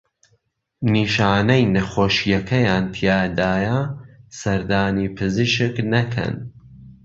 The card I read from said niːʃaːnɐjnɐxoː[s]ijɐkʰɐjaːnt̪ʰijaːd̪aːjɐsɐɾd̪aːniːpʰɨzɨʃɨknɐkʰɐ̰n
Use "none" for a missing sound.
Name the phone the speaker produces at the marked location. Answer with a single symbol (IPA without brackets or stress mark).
ʃ